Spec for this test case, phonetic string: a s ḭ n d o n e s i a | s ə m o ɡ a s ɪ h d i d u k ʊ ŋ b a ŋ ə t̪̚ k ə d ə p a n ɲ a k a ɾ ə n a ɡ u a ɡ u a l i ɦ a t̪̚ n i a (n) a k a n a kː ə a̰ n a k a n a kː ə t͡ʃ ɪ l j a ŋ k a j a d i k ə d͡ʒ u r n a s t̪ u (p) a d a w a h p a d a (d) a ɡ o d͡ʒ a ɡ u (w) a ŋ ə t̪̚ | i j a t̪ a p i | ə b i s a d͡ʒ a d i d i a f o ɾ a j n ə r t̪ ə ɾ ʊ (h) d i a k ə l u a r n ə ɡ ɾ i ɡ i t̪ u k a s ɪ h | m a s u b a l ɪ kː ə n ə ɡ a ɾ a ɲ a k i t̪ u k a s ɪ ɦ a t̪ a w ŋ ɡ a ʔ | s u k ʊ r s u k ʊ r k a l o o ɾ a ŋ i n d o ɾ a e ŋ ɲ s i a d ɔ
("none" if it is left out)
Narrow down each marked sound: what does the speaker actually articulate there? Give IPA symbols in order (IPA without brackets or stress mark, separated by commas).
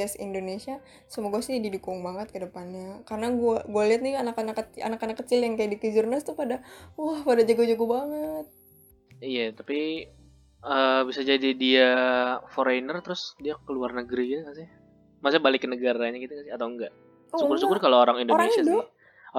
n, p, d͡ʒ, b, s